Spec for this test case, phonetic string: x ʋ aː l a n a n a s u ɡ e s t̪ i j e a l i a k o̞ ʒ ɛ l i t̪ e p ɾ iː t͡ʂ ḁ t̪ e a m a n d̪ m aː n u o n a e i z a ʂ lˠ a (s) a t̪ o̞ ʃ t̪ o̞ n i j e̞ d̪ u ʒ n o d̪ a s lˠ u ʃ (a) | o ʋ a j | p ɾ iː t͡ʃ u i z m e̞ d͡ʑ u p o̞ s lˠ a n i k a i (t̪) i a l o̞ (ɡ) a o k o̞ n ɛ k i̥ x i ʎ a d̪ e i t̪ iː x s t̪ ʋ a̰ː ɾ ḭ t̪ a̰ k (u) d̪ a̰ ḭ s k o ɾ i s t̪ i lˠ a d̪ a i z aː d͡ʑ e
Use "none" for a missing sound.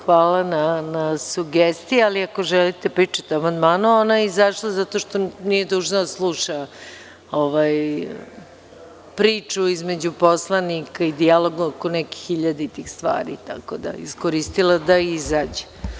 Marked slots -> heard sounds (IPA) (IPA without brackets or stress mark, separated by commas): z, a, d̪, ɡ, o